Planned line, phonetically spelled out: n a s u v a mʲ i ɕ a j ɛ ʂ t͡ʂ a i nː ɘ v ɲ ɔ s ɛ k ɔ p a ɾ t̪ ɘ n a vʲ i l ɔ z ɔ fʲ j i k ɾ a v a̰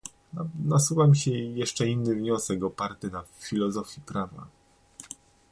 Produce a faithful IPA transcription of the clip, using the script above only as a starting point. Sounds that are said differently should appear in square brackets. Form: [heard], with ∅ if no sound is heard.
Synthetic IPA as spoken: n a s u v a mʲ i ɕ [ɛ] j ɛ ʂ t͡ʂ [ɛ] i nː ɘ v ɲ ɔ s ɛ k ɔ p a ɾ t̪ ɘ n a [fʲ] i l ɔ z ɔ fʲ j i [p] ɾ a v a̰